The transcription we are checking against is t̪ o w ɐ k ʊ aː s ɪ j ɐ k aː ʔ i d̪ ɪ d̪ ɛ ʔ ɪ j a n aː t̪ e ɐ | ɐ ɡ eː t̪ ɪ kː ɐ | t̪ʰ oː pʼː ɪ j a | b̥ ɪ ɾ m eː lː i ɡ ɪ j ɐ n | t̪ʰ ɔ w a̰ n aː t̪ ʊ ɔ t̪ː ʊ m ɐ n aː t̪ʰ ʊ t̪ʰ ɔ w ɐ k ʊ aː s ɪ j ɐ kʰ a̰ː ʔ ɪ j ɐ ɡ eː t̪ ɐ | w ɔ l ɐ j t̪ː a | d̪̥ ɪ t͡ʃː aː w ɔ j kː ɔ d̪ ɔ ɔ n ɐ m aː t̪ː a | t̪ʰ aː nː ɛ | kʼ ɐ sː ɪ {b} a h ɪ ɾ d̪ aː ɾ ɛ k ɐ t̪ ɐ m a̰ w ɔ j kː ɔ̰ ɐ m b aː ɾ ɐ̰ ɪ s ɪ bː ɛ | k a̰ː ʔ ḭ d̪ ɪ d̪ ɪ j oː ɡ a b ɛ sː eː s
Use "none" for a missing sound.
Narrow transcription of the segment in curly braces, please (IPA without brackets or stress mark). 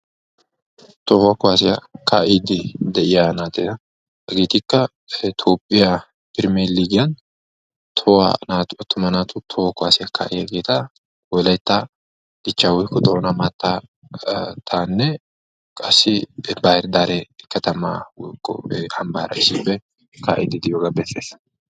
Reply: b